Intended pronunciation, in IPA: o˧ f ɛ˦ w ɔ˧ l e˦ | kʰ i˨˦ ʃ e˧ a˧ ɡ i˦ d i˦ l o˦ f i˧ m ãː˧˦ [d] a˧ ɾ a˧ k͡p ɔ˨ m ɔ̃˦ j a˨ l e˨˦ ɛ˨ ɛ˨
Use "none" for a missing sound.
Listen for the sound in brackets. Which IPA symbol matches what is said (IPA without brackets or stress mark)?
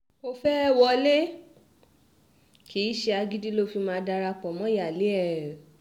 d